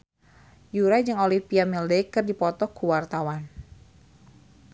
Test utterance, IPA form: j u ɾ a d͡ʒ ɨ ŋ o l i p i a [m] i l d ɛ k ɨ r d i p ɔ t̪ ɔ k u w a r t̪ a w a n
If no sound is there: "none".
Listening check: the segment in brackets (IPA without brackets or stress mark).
m